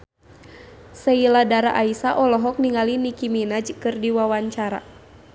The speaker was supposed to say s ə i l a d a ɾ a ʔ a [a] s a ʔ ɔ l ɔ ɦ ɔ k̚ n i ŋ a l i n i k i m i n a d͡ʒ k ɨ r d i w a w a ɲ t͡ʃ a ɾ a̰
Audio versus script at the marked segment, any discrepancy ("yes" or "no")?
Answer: yes